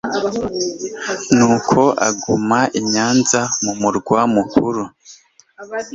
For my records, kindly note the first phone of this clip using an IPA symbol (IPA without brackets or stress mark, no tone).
n